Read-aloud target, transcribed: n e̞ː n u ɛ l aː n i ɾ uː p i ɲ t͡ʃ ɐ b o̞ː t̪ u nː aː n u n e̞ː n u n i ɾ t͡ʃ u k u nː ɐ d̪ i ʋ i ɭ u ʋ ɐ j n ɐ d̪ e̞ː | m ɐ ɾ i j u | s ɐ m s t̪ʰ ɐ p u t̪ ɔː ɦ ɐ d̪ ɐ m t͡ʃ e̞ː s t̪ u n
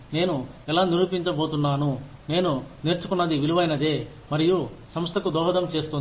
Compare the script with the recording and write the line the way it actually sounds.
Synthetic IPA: n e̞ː n u ɛ l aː n i ɾ uː p i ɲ t͡ʃ ɐ b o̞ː t̪ u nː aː n u n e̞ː n u n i ɾ t͡ʃ u k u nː ɐ d̪ i ʋ i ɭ u ʋ ɐ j n ɐ d̪ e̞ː | m ɐ ɾ i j u | s ɐ m s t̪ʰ ɐ k u d̪ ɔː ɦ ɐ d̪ ɐ m t͡ʃ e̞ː s t̪ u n